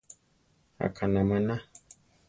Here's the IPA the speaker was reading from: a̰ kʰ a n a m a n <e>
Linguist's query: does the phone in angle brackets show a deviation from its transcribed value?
yes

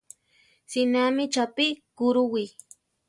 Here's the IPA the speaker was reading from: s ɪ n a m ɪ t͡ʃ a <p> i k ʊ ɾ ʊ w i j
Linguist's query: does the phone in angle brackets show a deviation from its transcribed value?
no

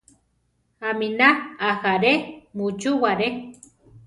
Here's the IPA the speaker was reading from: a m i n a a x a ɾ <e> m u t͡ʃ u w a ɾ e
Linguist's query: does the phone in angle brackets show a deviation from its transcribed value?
no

